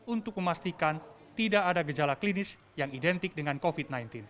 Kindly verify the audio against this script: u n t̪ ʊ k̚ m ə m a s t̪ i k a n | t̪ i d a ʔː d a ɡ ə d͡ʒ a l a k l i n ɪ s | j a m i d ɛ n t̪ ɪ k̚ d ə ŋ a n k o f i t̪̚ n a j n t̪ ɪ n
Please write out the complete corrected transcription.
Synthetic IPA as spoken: u n t̪ ʊ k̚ m ə m a s t̪ i k a n | t̪ i d a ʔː d a ɡ ə d͡ʒ a l a k l i n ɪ s | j a ŋ i d ɛ n t̪ ɪ k̚ d ə ŋ a n k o f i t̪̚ n a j n t̪ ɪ n